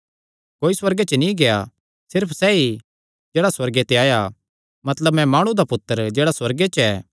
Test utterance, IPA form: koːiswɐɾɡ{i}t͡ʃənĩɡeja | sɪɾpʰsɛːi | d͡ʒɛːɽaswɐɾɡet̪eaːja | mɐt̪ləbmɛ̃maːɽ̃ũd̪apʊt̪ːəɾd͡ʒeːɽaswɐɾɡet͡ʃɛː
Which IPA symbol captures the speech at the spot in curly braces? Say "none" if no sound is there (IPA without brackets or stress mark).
e